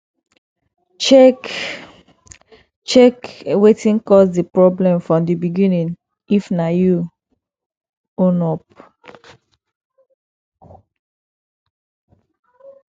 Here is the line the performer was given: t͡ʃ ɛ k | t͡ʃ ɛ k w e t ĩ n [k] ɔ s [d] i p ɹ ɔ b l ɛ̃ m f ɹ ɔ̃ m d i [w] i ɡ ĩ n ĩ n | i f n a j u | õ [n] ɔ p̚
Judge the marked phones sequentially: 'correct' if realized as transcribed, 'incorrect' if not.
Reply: correct, correct, incorrect: b, correct

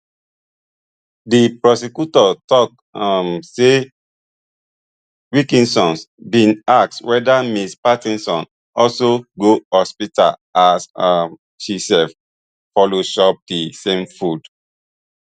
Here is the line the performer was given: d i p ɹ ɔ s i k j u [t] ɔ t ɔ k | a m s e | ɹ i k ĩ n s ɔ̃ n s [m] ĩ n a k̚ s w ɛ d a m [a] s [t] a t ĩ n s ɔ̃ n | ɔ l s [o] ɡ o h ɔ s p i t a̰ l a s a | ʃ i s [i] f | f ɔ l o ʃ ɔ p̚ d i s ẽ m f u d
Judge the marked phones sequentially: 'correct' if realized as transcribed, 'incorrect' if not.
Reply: correct, incorrect: b, incorrect: i, incorrect: p, correct, incorrect: ɛ

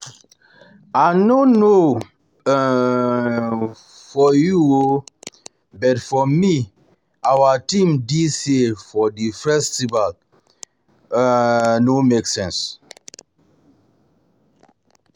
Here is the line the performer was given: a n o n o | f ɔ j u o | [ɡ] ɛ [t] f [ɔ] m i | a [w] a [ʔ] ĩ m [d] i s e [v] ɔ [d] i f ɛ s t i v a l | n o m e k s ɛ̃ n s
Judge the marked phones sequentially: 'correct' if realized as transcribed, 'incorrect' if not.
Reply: incorrect: b, correct, correct, correct, incorrect: t, correct, incorrect: f, correct

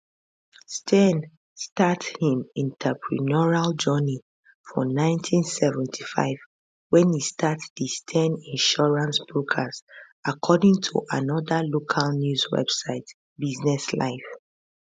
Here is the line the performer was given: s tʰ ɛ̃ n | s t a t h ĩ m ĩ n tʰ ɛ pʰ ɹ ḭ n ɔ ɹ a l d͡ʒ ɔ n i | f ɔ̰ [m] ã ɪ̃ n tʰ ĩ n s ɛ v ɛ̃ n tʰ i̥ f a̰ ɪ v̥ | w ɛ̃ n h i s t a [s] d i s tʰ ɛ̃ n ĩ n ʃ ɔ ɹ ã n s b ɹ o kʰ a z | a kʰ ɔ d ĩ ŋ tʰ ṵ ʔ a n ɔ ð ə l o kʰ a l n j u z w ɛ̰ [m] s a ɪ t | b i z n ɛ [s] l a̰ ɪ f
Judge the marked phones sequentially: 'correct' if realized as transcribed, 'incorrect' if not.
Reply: incorrect: n, incorrect: t, incorrect: b, correct

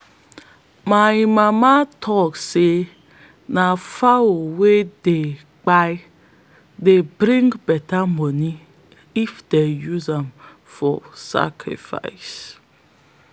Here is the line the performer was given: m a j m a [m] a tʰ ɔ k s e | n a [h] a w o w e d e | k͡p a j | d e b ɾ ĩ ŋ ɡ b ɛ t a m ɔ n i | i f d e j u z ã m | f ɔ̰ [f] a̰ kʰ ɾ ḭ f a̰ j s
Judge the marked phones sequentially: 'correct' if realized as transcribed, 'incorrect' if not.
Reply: correct, incorrect: f, incorrect: s

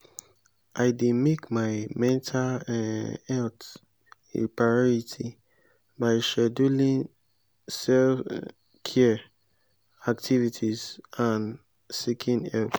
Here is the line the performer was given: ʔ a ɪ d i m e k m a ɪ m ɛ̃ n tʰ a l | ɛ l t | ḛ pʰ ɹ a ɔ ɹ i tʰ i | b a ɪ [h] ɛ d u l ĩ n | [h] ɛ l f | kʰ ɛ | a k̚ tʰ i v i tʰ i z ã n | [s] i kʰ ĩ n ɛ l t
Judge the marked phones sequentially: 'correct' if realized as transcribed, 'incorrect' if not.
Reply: incorrect: ʃ, incorrect: s, correct

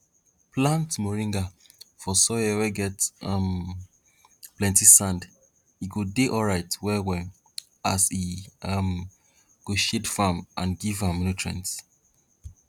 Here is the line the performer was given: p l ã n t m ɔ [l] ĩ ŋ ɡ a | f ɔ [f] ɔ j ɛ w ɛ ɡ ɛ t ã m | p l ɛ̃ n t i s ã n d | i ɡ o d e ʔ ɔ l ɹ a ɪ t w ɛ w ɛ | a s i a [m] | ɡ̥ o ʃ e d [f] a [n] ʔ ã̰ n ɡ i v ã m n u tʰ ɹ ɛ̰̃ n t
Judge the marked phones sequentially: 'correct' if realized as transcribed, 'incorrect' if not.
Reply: incorrect: ɹ, incorrect: s, correct, correct, incorrect: m

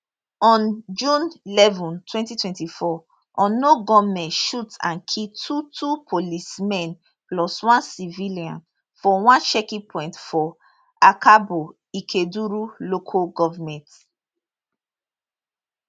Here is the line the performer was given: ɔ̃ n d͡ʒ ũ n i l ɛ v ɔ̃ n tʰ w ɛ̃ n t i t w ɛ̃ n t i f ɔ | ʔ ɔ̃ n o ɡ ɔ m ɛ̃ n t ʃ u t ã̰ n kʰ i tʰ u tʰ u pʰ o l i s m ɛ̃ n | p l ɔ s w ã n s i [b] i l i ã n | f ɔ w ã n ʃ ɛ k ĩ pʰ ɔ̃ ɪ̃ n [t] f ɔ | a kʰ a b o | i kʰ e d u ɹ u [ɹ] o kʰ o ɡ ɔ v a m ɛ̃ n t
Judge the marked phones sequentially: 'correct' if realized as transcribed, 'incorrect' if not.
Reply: incorrect: v, correct, incorrect: l

